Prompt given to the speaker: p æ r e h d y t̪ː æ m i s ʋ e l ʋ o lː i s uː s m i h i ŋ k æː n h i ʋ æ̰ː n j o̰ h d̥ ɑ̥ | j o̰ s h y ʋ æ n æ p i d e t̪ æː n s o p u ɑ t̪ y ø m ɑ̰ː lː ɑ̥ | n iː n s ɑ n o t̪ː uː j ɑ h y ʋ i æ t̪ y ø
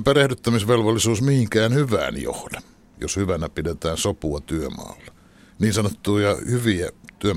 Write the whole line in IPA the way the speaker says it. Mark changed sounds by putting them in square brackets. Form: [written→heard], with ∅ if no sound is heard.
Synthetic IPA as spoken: p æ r e h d y t̪ː æ m i s ʋ e l ʋ o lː i s uː s m i h i ŋ k æː n h [i→y] ʋ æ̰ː n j o̰ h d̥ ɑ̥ | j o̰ s h y ʋ æ n æ p i d e t̪ æː n s o p u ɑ t̪ y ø m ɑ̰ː lː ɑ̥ | n iː n s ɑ n o t̪ː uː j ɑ h y ʋ i æ t̪ y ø